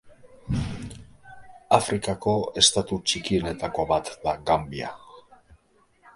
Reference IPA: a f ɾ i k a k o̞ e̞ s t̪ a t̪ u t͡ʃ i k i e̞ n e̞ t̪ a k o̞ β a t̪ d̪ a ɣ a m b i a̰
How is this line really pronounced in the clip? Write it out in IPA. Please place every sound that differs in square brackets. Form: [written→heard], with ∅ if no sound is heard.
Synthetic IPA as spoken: a f ɾ i k a k o̞ e̞ s t̪ a t̪ u t͡ʃ i k i e̞ n e̞ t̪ a k o̞ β a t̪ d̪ a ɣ a m b i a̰

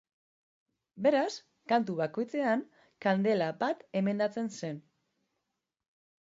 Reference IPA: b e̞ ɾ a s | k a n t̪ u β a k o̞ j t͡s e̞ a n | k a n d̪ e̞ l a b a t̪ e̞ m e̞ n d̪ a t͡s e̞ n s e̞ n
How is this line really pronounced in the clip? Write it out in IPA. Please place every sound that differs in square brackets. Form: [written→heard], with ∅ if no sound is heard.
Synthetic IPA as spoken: b e̞ ɾ a s | k a n t̪ u β a k o̞ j t͡s e̞ a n | k a n d̪ e̞ l a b a t̪ e̞ m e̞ n d̪ a t͡s e̞ n s e̞ n

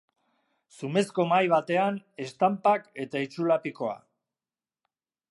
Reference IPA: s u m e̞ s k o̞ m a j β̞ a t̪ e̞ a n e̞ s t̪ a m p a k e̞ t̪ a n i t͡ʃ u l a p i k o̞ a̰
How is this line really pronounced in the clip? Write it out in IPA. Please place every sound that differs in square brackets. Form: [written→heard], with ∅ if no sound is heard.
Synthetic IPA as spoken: s u m e̞ s k o̞ m a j β̞ a t̪ e̞ a n e̞ s t̪ a m p a k e̞ t̪ a [n→∅] i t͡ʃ u l a p i k o̞ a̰

